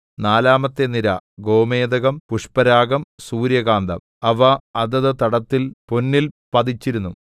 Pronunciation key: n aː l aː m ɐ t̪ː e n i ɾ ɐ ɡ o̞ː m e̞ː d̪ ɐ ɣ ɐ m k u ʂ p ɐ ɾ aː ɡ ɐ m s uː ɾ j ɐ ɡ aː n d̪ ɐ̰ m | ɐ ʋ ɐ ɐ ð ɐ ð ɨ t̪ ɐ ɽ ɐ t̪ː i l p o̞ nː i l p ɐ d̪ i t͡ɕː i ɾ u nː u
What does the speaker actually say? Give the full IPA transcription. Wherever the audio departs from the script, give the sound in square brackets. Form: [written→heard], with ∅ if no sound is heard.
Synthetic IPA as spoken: n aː l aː m ɐ t̪ː e n i ɾ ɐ ɡ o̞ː m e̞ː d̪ ɐ ɣ ɐ m [k→p] u ʂ p ɐ ɾ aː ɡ ɐ m s uː ɾ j ɐ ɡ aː n d̪ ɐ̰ m | ɐ ʋ ɐ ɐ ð ɐ ð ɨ t̪ ɐ ɽ ɐ t̪ː i l p o̞ nː i l p ɐ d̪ i t͡ɕː i ɾ u nː u